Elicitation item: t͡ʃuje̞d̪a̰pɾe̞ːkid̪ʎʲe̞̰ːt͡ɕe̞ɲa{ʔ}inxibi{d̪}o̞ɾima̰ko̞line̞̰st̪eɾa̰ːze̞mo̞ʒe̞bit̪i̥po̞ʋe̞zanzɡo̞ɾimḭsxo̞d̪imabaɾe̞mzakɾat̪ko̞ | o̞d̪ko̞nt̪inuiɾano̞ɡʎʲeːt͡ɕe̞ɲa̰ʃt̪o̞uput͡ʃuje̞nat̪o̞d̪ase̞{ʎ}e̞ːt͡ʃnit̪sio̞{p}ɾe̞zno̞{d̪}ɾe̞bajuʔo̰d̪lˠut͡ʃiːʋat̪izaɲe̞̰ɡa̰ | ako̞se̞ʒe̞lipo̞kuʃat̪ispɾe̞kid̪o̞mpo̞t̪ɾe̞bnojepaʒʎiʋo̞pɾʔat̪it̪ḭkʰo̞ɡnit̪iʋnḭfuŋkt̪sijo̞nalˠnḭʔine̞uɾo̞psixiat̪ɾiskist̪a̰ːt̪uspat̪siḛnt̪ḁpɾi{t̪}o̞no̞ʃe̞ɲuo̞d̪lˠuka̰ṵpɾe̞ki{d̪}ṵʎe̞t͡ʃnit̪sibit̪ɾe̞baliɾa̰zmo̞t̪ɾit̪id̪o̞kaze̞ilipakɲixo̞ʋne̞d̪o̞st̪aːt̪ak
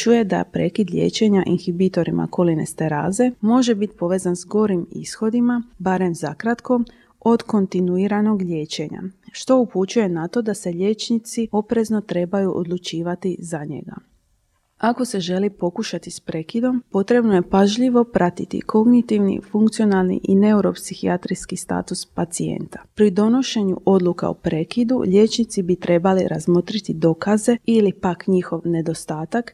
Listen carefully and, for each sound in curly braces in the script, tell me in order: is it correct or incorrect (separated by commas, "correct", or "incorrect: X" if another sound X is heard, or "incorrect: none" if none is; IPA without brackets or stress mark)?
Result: correct, incorrect: t̪, correct, correct, incorrect: t̪, incorrect: d̪, correct